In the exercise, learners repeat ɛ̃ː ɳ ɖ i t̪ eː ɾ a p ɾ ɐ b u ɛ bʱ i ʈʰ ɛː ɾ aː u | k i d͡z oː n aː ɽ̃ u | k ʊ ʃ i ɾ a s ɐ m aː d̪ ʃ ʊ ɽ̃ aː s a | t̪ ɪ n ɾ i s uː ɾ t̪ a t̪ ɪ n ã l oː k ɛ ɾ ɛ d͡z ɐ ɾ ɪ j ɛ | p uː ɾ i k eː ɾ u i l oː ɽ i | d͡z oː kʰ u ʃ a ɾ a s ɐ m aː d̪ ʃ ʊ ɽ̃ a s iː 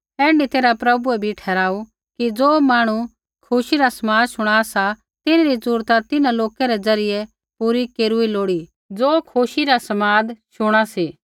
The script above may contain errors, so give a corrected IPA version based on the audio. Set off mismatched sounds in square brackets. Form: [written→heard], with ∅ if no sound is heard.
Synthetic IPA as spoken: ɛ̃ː ɳ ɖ i t̪ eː ɾ a p ɾ ɐ b u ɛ bʱ i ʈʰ ɛː ɾ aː u | k i d͡z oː [n→m] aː ɽ̃ u | [k→kʰ] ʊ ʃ i ɾ a s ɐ m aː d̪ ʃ ʊ ɽ̃ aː s a | t̪ ɪ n ɾ i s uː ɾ t̪ a t̪ ɪ n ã l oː k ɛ ɾ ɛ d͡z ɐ ɾ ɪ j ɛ | p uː ɾ i k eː ɾ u i l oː ɽ i | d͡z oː kʰ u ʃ [a→i] ɾ a s ɐ m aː d̪ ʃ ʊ ɽ̃ a s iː

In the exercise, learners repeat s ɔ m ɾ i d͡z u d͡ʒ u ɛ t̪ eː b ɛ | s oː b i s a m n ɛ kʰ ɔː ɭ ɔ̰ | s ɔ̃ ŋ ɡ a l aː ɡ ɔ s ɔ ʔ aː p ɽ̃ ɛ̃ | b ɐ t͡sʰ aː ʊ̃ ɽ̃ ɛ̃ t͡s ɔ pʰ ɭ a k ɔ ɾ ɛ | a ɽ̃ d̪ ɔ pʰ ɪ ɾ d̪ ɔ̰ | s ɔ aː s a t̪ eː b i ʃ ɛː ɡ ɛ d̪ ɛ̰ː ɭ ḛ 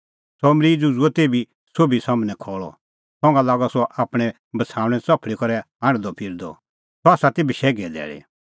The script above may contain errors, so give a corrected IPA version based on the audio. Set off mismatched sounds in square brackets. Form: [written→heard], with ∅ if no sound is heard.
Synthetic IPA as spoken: s ɔ m ɾ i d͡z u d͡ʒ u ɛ t̪ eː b [ɛ→i] | s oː b i s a m n ɛ kʰ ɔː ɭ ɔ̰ | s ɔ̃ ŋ ɡ a l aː ɡ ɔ s ɔ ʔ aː p ɽ̃ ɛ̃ | b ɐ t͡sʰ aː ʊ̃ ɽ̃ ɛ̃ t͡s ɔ pʰ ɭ [a→i] k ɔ ɾ ɛ | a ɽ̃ d̪ ɔ pʰ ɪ ɾ d̪ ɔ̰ | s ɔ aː s a t̪ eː b i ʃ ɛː ɡ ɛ d̪ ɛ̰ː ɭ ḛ

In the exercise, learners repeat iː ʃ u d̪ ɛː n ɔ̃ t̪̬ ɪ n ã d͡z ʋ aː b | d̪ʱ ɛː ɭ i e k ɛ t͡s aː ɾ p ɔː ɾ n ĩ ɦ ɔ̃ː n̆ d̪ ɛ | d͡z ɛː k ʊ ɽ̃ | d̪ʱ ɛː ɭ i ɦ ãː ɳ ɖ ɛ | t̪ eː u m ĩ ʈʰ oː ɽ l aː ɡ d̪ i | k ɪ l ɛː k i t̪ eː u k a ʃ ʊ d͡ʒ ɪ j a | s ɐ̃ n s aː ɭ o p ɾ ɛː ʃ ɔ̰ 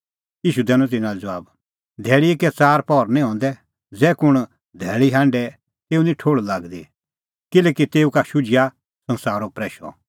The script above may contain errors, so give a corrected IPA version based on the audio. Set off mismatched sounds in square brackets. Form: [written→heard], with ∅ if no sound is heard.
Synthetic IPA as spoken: iː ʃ u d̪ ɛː n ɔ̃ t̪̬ ɪ n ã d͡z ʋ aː b | d̪ʱ ɛː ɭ i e k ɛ t͡s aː ɾ p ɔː ɾ n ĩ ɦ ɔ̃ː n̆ d̪ ɛ | d͡z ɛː k ʊ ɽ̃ | d̪ʱ ɛː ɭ i ɦ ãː ɳ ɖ ɛ | t̪ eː u [m→n] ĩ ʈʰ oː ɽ l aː ɡ d̪ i | k ɪ l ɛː k i t̪ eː u k a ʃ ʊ d͡ʒ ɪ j a | s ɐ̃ n s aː [ɭ→ɾ] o p ɾ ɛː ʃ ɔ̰

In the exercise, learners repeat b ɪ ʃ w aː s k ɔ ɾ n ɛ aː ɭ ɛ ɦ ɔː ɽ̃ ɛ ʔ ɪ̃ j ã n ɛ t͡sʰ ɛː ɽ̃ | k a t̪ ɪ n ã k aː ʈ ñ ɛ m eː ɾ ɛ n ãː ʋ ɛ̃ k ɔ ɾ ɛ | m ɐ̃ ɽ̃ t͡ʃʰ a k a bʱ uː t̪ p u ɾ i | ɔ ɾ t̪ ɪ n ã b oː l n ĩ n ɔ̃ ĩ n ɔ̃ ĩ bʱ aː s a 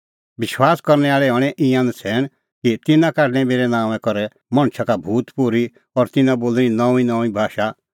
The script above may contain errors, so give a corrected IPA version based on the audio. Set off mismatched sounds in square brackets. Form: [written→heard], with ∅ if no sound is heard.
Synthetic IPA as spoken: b ɪ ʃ w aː s k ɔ ɾ n ɛ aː ɭ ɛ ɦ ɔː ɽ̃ ɛ ʔ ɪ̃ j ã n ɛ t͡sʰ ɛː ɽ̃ | k [a→i] t̪ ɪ n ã k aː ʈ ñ ɛ m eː ɾ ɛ n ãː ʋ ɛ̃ k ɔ ɾ ɛ | m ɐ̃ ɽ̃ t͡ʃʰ a k a bʱ uː t̪ p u ɾ i | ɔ ɾ t̪ ɪ n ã b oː l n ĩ n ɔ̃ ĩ n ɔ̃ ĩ bʱ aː [s→ʃ] a

